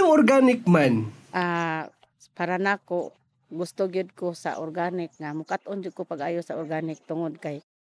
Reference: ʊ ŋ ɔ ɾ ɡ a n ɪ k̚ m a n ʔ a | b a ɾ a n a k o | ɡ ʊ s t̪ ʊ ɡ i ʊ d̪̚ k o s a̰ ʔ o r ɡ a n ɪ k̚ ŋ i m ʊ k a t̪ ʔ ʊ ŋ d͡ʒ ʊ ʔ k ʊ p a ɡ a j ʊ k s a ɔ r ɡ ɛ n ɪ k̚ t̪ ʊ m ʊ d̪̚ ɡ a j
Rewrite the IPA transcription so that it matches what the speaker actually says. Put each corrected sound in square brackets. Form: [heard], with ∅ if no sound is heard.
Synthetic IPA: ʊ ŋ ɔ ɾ ɡ a n ɪ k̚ m a n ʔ a | [p] a ɾ a n a k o | ɡ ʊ s t̪ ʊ ɡ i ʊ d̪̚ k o s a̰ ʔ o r ɡ a n ɪ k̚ ŋ [a] m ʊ k a t̪ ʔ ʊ [n] d͡ʒ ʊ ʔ k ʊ p a ɡ a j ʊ [∅] s a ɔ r ɡ [a] n ɪ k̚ t̪ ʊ [ŋ] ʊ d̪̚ [k] a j